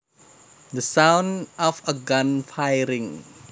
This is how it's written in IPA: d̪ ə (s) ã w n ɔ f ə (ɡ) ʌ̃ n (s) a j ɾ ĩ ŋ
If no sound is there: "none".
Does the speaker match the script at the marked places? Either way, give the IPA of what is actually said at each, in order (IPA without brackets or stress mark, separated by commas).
s, ɡ, f